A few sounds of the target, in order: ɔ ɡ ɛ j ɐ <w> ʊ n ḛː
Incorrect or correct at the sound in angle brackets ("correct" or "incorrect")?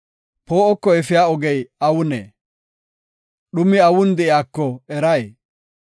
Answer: correct